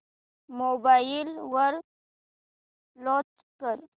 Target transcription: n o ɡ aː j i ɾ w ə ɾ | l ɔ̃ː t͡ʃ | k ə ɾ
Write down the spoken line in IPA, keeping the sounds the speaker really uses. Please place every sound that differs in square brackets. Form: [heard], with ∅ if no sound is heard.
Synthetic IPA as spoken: [m] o [b] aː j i [l] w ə ɾ | l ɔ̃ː t͡ʃ | k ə ɾ